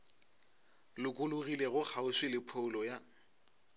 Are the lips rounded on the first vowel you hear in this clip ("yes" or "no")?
yes